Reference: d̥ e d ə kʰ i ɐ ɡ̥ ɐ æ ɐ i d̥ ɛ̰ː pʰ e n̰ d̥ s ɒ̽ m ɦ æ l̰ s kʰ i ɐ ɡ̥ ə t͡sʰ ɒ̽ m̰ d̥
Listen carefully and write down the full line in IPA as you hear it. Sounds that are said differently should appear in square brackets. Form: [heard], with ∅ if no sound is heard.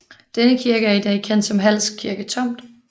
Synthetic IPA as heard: d̥ e [n] ə kʰ i ɐ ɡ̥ [ə] æ ɐ i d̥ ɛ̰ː [kʰ] e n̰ d̥ s ɒ̽ m ɦ æ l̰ s kʰ i ɐ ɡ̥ ə t͡sʰ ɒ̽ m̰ d̥